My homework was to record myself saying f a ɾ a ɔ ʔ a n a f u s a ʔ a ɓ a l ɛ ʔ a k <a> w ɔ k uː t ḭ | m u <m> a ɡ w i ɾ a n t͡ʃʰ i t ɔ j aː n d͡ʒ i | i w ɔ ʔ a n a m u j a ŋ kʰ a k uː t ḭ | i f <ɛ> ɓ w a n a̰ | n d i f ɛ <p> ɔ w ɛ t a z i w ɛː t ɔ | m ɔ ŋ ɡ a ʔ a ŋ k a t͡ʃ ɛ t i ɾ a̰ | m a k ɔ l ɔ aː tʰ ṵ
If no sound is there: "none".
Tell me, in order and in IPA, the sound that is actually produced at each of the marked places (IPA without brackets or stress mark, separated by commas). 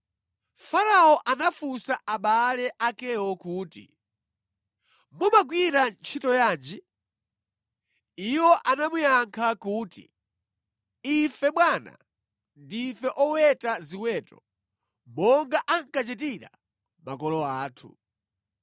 ɛ, m, ɛ, ʔ